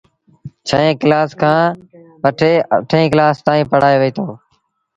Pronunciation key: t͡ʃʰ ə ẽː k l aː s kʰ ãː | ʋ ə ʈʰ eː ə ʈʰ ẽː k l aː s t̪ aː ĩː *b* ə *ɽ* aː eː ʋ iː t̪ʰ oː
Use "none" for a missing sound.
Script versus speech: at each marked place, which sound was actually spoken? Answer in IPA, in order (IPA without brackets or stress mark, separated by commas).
p, ɽ